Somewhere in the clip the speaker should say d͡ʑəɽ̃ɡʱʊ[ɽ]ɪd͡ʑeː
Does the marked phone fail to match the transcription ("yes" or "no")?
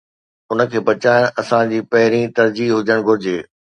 yes